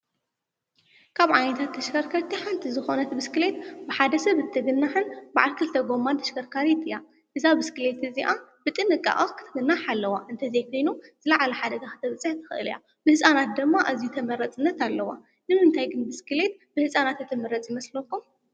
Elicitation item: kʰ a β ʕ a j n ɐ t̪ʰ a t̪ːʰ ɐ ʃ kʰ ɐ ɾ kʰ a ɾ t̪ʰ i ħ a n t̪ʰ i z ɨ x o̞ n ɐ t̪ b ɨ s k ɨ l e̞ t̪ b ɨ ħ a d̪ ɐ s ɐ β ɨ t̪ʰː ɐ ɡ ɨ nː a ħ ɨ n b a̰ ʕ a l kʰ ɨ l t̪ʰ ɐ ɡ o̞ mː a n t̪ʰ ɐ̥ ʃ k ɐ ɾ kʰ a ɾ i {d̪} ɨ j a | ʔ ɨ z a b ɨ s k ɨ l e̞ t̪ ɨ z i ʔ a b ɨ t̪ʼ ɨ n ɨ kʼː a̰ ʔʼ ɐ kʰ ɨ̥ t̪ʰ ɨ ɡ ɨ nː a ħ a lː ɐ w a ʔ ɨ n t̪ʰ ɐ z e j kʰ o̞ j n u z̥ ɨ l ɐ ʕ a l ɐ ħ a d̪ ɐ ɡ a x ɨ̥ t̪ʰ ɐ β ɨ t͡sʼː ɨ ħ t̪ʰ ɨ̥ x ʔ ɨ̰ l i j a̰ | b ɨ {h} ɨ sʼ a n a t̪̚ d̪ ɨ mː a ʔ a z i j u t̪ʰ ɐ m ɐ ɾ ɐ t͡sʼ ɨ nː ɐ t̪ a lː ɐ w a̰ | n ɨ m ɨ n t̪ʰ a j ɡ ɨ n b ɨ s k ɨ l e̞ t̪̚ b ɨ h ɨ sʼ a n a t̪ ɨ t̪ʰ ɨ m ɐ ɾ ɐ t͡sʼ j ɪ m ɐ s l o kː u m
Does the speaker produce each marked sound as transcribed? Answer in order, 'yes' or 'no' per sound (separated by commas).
no, yes